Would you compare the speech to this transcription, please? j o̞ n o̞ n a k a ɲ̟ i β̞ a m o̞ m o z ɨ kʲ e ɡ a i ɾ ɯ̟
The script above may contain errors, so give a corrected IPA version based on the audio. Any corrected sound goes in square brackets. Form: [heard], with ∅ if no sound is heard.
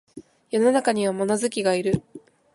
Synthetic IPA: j o̞ n o̞ n a k a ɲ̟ i β̞ a m o̞ [n] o z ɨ kʲ [i] ɡ a i ɾ ɯ̟